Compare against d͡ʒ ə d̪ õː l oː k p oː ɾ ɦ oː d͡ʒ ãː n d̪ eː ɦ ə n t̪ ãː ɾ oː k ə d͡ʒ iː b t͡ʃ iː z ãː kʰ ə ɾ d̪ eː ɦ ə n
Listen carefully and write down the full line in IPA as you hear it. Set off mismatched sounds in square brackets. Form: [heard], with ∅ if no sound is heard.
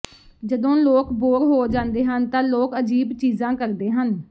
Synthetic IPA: d͡ʒ ə d̪ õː l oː k [b] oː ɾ ɦ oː d͡ʒ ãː n d̪ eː ɦ ə n t̪ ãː [l] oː k ə d͡ʒ iː b t͡ʃ iː z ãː [k] ə ɾ d̪ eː ɦ ə n